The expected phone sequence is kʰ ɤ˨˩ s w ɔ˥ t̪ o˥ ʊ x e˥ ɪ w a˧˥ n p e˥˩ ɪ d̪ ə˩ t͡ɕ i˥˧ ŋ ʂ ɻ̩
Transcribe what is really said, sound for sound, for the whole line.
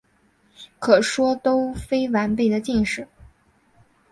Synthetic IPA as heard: kʰ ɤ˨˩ ʂ w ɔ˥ t̪ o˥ ʊ f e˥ ɪ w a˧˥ n p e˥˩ ɪ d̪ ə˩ t͡ɕ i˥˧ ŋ ʂ ɻ̩